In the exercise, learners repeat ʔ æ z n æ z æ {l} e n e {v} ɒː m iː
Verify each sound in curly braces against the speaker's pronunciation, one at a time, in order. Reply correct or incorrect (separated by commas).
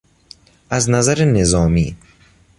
incorrect, incorrect